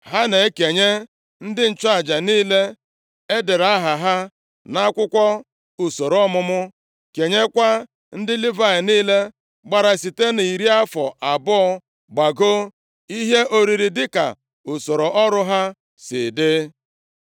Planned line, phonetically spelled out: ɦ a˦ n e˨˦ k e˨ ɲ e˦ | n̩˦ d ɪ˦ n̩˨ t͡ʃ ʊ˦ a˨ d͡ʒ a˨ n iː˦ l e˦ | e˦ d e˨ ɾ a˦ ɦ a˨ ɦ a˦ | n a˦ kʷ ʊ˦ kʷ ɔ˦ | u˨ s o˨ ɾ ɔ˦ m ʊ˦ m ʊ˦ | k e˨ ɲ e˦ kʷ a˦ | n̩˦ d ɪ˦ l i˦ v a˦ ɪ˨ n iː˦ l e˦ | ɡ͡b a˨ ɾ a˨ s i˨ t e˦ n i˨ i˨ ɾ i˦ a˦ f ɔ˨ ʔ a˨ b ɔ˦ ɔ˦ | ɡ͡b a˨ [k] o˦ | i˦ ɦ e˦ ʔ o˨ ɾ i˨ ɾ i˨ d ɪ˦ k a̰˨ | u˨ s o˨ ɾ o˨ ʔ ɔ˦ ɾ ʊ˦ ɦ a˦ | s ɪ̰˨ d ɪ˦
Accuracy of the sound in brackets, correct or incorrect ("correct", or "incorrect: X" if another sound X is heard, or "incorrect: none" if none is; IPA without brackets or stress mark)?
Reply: incorrect: ɡ